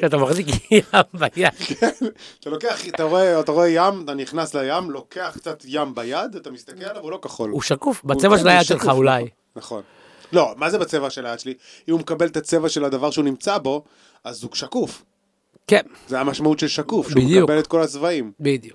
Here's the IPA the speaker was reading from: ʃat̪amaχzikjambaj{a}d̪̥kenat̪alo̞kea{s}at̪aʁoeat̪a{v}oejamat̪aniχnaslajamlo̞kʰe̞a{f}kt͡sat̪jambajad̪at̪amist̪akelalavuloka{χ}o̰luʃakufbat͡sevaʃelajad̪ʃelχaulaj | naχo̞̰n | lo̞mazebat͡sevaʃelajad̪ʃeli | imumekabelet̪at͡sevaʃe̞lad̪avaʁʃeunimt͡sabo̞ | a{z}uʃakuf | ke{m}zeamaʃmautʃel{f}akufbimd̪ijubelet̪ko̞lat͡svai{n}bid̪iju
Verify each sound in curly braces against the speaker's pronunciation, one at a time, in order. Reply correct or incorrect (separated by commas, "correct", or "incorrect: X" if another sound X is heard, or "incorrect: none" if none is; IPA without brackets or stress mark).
correct, incorrect: χ, incorrect: ʁ, incorrect: χ, correct, correct, incorrect: n, incorrect: ʃ, incorrect: m